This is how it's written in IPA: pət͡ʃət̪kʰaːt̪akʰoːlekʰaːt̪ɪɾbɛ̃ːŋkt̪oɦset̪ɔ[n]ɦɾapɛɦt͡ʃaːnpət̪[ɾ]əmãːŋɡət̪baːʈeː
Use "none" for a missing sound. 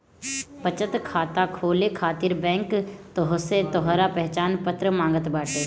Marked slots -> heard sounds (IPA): none, ɾ

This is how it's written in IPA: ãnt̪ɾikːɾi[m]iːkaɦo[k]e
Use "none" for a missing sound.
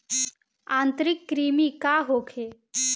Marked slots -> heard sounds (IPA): m, kʰ

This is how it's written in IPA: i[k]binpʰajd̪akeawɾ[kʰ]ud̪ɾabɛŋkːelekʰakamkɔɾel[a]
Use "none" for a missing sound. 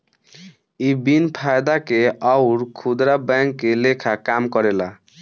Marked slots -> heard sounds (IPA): none, kʰ, a

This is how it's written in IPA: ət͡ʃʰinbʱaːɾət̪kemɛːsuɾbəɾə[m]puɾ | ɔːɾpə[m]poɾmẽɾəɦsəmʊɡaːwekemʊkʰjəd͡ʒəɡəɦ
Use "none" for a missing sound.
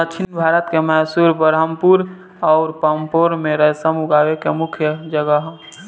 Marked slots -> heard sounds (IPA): m, m

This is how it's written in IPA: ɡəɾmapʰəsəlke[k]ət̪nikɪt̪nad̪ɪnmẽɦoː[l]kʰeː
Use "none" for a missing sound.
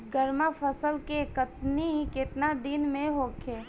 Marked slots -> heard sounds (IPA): k, none

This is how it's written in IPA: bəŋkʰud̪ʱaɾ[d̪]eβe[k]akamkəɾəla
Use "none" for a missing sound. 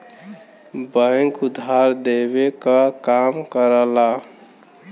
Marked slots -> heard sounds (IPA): d̪, k

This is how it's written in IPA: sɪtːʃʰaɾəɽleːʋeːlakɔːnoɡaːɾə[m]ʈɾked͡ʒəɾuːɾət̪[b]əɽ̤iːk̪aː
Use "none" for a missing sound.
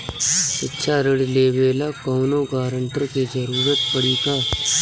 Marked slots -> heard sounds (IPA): ɳ, p

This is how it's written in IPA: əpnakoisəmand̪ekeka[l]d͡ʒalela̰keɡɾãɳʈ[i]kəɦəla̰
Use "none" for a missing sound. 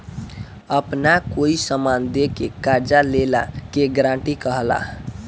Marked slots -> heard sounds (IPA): ɾ, i

